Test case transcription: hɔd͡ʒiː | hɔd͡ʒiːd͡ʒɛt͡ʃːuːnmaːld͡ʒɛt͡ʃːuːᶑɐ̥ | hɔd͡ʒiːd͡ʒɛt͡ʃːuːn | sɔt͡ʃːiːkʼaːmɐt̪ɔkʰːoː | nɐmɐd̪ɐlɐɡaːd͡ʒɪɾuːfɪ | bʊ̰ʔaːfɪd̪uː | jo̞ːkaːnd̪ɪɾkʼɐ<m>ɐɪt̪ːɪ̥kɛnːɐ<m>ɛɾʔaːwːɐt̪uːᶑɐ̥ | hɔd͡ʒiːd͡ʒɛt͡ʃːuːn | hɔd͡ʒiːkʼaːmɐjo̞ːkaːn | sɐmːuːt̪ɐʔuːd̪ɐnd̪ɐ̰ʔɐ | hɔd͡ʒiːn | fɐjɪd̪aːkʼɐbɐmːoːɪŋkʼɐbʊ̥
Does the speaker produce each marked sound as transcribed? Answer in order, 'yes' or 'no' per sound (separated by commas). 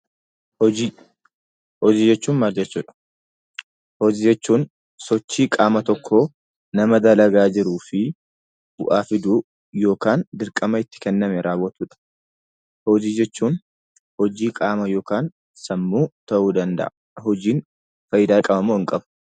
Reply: yes, yes